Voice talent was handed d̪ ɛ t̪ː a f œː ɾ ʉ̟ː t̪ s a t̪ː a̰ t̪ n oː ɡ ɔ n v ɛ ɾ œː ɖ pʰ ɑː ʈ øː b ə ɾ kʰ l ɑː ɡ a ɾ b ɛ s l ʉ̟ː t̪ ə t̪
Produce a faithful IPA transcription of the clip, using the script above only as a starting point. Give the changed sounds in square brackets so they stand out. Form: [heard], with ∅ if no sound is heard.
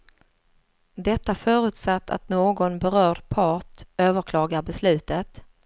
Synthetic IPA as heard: d̪ ɛ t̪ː a f œː ɾ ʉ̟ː t̪ s a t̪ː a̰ t̪ n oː ɡ ɔ n [b] ɛ ɾ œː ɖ pʰ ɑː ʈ øː [v] ə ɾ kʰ l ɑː ɡ a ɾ b ɛ s l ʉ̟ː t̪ ə t̪

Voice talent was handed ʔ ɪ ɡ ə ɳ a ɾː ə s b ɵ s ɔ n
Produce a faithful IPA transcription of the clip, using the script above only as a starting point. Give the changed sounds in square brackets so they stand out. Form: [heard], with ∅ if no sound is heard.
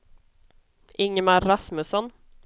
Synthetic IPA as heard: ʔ ɪ [ŋ] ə [m] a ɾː [a] s [m] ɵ s ɔ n

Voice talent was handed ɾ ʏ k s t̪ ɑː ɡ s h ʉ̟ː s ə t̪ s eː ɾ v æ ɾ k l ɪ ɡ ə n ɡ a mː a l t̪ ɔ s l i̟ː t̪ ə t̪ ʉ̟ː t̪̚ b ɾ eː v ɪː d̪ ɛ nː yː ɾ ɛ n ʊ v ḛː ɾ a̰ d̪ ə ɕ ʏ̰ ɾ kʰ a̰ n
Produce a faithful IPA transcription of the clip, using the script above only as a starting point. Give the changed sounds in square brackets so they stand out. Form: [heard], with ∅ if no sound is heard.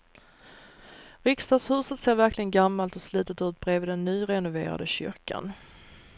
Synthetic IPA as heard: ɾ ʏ k s t̪ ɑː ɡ s h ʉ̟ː s ə t̪ s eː ɾ v æ ɾ k l ɪ ɡ ə n ɡ a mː a l t̪ ɔ s l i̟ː t̪ ə t̪ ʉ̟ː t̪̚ b ɾ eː v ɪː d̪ ɛ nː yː ɾ ɛ n ʊ v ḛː ɾ a̰ d̪ ə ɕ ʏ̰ ɾ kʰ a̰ n

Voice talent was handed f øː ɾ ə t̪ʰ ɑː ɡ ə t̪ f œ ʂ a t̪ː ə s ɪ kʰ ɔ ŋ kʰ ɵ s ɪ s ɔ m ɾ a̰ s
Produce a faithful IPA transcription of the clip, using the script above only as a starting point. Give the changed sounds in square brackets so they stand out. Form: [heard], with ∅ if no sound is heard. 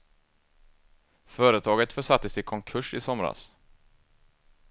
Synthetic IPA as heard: f [œː] ɾ ə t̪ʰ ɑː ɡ ə t̪ f œ ʂ a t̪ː ə s ɪ kʰ ɔ ŋ kʰ ɵ [ʂ] ɪ s ɔ m ɾ a̰ s

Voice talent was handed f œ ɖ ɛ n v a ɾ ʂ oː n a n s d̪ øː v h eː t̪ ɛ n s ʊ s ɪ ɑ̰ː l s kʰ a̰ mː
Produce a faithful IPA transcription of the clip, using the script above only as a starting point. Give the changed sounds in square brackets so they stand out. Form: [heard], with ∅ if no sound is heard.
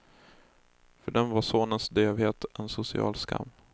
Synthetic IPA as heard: f œ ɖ ɛ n v a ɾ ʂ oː n [ə] n s d̪ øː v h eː t̪ ɛ n s ʊ s ɪ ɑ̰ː l s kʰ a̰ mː

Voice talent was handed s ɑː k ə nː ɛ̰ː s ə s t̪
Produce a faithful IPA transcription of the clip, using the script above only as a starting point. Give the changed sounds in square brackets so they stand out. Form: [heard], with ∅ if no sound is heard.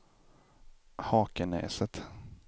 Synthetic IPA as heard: [h] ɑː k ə [n] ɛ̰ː s ə [∅] t̪

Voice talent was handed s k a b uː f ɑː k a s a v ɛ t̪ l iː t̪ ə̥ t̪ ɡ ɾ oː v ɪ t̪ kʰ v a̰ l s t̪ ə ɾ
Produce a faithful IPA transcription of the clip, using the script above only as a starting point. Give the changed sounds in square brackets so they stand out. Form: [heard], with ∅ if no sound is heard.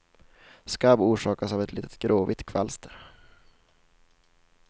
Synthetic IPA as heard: s k a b uː [ʂ] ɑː k a s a v ɛ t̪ l iː t̪ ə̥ t̪ ɡ ɾ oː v ɪ t̪ kʰ v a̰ l s t̪ ə ɾ

